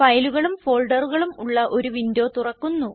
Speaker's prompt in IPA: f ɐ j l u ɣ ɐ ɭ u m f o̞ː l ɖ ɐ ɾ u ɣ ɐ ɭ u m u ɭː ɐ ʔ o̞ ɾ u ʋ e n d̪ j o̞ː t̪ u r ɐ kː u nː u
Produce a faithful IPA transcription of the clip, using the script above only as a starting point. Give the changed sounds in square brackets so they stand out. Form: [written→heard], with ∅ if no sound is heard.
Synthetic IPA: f ɐ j l u ɣ ɐ ɭ u m f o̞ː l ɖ ɐ [ɾ→r] u ɣ ɐ ɭ u m u ɭː ɐ ʔ o̞ ɾ u ʋ [e→i] n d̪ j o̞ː t̪ u r ɐ kː u nː u